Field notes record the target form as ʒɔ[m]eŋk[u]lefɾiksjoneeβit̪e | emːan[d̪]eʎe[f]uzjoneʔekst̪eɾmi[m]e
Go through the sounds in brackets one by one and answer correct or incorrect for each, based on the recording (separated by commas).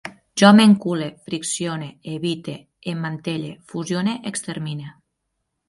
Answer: correct, correct, incorrect, correct, incorrect